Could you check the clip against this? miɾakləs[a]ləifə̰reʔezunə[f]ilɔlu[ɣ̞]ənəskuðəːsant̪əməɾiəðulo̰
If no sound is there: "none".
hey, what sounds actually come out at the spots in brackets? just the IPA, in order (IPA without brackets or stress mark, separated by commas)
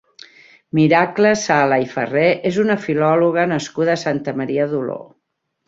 a, f, ɣ̞